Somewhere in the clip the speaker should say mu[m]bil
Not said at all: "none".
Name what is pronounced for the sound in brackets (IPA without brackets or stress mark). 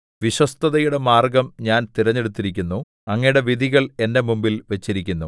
m